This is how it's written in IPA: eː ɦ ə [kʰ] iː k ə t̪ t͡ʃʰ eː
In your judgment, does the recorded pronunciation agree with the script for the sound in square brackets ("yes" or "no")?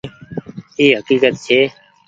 no